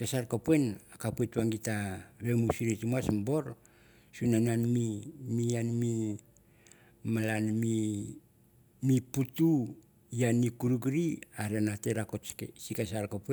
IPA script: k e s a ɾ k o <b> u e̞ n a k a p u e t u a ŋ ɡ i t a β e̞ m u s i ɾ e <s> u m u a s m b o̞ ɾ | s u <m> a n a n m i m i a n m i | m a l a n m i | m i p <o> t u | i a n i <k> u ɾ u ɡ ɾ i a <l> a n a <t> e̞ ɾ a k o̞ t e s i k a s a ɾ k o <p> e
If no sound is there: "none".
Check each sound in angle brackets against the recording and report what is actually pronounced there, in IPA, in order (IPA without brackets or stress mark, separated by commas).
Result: p, t, n, u, k, ɾ, t, p